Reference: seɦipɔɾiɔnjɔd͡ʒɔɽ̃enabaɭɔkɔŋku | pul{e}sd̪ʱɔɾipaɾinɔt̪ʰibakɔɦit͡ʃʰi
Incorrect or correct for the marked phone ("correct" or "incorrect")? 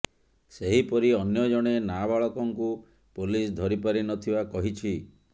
incorrect